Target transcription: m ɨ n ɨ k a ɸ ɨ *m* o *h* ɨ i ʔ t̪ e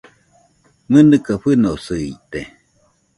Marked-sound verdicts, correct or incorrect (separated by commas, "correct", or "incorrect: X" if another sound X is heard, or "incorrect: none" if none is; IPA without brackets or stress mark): incorrect: n, incorrect: s